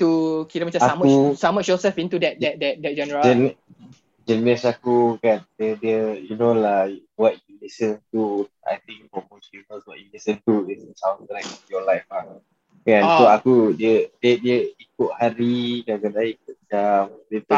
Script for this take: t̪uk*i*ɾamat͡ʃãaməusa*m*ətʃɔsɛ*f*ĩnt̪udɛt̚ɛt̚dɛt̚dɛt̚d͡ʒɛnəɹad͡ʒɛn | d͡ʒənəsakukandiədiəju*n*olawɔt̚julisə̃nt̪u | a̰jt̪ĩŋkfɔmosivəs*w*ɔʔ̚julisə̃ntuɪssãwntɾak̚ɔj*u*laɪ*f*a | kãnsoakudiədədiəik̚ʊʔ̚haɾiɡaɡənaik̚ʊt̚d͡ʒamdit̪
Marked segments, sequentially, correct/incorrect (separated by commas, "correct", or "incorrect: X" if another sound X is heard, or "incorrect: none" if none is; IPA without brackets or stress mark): correct, correct, correct, correct, correct, incorrect: ɔ, correct